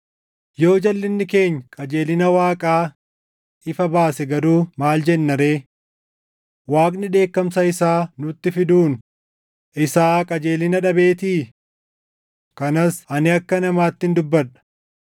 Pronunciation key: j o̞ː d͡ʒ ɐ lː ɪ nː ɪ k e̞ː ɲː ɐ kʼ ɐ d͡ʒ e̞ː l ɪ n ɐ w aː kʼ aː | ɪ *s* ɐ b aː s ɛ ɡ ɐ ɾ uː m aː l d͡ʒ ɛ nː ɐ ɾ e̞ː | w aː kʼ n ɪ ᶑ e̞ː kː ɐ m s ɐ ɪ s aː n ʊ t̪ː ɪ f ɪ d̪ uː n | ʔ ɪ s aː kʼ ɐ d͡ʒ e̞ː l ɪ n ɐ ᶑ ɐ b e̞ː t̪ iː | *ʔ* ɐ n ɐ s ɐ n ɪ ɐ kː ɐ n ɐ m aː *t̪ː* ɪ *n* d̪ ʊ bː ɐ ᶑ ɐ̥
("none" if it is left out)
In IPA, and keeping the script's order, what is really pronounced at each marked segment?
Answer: f, k, t̪ː, n

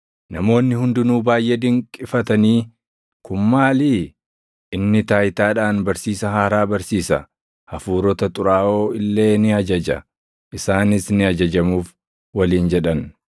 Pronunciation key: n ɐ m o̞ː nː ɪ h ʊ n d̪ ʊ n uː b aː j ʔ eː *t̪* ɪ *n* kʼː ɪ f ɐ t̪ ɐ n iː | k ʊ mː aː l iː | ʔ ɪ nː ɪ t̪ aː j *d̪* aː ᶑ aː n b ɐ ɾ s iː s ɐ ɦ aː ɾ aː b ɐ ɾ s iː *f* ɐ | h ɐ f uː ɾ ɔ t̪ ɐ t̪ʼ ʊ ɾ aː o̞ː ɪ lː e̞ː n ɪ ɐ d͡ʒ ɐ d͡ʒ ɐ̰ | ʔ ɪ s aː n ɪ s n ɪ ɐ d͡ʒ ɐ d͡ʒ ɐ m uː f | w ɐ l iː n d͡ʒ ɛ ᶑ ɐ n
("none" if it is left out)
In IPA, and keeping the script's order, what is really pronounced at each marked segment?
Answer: d̪, ŋ, t̪, s

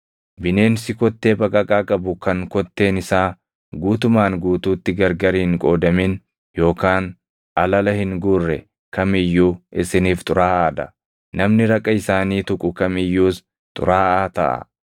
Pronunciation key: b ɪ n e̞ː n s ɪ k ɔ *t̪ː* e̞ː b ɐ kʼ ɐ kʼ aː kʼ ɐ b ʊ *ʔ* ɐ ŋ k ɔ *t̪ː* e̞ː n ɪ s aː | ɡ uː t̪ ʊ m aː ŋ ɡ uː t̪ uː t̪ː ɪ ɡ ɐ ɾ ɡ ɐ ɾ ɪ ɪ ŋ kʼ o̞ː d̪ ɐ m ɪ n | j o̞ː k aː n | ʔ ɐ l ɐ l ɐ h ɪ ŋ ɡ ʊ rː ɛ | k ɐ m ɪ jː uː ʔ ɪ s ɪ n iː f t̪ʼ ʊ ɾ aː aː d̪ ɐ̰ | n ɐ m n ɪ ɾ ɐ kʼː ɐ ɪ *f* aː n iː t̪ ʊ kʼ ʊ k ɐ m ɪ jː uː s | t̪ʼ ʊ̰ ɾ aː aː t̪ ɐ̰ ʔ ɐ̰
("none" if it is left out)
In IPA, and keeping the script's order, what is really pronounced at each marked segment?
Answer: t̪ː, k, t̪ː, s

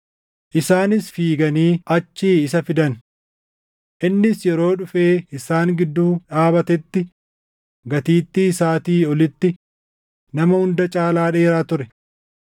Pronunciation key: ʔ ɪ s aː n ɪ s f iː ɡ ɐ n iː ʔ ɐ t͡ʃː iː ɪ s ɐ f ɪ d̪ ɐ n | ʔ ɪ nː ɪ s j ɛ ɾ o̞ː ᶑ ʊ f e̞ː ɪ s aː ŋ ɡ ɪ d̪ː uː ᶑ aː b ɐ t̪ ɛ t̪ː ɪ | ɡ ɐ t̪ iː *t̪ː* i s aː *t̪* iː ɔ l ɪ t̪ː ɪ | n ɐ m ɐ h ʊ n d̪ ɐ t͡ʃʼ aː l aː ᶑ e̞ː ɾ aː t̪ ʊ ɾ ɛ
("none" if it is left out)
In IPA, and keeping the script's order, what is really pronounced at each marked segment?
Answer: t̪ː, t̪

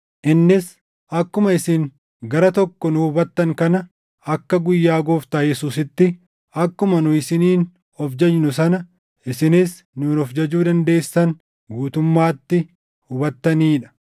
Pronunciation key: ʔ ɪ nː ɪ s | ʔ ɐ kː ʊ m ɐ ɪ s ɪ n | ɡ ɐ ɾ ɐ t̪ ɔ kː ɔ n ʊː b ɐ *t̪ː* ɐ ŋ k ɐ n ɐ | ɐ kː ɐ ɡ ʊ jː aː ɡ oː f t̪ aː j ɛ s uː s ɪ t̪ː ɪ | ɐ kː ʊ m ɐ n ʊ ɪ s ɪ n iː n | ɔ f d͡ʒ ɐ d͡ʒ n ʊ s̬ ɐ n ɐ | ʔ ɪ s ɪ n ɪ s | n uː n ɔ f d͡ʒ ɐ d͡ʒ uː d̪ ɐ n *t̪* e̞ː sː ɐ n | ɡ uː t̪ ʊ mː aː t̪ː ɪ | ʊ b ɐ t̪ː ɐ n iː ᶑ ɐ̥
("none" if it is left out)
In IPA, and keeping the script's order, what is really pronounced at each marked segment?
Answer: t̪ː, d̪

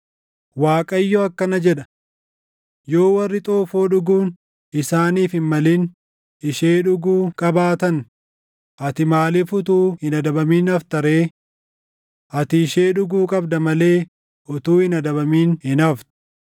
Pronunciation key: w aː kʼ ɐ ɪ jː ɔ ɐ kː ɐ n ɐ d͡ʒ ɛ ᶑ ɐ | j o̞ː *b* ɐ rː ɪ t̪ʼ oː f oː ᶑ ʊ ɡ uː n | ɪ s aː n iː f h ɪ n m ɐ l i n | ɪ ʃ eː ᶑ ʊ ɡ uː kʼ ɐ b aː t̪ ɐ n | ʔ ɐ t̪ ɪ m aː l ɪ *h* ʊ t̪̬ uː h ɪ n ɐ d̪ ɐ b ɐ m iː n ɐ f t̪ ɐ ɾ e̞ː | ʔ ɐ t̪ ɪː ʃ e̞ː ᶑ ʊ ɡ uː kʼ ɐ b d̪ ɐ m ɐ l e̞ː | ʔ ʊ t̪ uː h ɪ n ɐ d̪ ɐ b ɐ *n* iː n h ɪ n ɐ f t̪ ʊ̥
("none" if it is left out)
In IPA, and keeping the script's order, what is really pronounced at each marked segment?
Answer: w, f, m

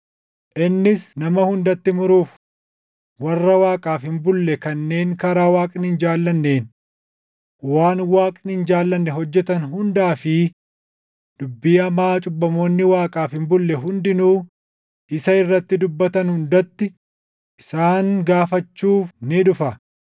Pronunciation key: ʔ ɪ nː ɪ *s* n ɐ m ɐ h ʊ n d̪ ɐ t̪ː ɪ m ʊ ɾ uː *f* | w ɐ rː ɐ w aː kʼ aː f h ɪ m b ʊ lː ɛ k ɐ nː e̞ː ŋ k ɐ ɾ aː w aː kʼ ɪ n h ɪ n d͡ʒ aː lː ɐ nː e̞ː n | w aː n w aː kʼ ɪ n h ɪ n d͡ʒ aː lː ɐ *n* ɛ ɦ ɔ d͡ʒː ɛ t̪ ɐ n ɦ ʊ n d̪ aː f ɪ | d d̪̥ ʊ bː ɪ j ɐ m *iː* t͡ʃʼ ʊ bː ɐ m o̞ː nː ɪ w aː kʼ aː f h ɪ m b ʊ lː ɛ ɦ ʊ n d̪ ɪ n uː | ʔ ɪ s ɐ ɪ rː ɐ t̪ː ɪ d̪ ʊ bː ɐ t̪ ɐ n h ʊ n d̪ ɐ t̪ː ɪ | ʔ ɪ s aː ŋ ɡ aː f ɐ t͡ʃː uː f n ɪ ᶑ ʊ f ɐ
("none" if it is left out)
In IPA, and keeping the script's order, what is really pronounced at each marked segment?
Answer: s, f, nː, aː

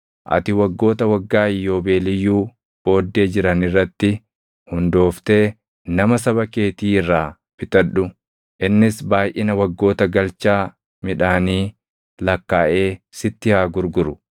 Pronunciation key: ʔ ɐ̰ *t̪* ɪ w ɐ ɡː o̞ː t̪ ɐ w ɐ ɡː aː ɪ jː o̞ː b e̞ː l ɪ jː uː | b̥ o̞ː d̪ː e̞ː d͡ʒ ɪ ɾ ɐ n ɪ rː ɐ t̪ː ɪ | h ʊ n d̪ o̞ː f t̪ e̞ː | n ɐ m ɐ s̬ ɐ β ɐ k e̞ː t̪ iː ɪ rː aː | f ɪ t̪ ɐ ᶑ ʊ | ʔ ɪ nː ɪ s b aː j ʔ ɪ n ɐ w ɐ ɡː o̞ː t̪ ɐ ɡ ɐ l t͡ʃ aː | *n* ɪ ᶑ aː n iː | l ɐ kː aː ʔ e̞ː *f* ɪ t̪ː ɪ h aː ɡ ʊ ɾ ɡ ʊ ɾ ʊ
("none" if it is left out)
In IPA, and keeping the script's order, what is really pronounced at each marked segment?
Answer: t̪, m, s

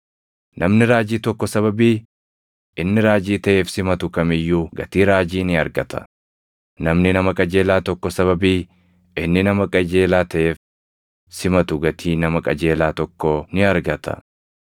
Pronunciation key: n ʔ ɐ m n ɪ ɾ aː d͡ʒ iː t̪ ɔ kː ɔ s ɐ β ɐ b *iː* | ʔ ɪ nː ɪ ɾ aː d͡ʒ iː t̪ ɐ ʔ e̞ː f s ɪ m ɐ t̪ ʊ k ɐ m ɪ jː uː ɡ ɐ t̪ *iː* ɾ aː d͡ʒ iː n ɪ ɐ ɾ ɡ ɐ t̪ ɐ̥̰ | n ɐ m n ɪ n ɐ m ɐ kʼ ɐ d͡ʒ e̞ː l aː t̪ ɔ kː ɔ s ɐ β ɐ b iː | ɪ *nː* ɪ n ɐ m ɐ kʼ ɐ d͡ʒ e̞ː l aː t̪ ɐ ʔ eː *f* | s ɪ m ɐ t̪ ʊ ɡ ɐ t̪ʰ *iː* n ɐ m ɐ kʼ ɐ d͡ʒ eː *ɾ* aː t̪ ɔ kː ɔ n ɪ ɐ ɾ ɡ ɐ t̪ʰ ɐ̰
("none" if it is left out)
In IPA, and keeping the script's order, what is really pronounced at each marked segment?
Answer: iː, iː, nː, f, iː, l

